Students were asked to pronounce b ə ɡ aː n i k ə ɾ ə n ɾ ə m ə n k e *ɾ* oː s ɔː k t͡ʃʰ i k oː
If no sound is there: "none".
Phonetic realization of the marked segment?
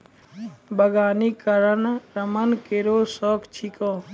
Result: ɾ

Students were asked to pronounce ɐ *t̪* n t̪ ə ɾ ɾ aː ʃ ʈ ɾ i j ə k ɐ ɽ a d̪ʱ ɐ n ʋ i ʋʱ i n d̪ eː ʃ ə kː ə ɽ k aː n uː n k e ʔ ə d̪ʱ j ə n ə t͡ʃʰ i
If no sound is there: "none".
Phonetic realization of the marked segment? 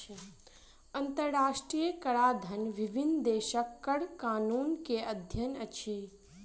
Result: none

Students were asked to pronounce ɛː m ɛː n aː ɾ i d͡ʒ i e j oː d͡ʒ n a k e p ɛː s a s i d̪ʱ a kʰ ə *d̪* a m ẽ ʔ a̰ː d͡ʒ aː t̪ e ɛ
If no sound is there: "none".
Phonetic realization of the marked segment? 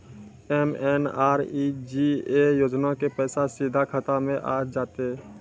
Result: t̪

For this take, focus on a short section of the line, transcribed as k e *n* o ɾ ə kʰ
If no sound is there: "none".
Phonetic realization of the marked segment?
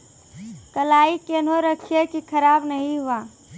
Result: n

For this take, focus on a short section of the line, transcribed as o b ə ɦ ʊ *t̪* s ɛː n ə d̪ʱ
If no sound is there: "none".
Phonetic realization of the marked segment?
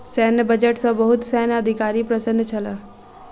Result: t̪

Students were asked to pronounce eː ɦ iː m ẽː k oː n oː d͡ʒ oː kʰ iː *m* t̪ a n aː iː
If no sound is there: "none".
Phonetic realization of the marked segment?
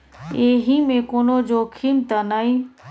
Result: m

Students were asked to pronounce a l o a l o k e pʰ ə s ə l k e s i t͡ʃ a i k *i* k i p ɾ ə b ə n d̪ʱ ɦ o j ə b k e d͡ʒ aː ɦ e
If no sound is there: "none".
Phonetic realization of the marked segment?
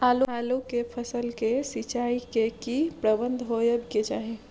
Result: e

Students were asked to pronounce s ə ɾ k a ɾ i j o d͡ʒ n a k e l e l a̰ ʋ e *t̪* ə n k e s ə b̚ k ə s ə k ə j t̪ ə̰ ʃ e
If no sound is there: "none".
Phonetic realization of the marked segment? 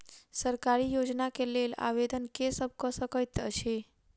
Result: d̪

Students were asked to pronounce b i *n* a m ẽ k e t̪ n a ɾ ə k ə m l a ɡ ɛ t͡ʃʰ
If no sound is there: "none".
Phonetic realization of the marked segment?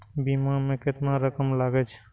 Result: m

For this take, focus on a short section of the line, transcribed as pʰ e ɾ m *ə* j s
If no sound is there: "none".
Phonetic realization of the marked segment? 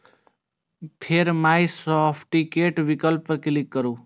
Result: a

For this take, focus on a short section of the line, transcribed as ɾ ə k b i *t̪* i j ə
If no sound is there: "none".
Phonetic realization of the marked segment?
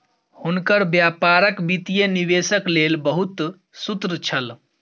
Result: t̪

